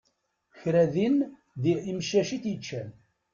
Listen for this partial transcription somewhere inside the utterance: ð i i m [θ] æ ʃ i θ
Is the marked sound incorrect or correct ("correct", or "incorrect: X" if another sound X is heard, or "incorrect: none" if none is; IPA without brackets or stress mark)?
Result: incorrect: ʃ